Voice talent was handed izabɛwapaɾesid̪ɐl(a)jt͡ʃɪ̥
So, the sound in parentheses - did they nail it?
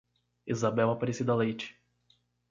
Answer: no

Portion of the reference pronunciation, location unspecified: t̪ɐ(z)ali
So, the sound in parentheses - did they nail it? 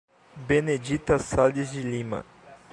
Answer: no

